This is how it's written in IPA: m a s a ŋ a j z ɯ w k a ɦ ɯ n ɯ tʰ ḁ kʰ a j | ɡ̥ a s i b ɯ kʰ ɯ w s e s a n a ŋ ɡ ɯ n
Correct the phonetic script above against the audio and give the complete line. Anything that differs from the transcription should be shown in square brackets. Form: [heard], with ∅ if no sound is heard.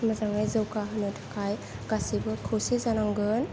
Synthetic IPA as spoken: m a [z] a ŋ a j z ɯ w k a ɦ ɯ n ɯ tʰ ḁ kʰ a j | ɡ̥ a s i b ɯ kʰ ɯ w s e [z] a n a ŋ ɡ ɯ n